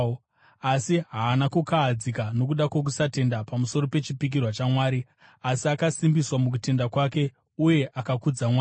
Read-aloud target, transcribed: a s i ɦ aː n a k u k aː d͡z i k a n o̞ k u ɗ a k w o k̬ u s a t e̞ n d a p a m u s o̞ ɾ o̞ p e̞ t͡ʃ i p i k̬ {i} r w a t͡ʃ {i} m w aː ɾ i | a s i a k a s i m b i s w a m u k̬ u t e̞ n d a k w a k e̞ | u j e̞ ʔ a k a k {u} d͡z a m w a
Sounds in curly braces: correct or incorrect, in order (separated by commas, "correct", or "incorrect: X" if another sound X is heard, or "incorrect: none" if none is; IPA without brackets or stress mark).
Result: correct, incorrect: a, correct